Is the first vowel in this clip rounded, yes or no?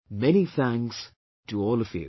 no